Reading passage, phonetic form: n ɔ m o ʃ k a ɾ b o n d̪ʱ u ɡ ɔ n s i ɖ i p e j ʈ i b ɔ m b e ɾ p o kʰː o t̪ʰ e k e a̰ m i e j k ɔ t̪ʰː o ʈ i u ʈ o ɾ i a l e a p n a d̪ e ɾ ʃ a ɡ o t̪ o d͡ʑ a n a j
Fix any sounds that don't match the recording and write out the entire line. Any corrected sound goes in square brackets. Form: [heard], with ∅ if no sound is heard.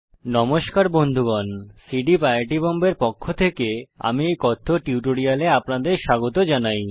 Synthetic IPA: n ɔ m o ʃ k a ɾ b o n d̪ʱ u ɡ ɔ n s i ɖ i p [a] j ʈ i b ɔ m b e ɾ p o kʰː o t̪ʰ e k e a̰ m i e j k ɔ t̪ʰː o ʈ i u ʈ o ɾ i a l e a p n a d̪ e ɾ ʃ a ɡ o t̪ o d͡ʑ a n a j